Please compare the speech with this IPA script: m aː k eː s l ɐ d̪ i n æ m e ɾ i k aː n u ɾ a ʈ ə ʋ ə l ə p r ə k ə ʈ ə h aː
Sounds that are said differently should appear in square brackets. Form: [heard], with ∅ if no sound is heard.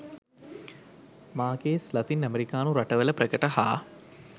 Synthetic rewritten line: m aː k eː s l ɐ [t̪] i n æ m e ɾ i k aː n u ɾ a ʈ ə ʋ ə l ə p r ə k ə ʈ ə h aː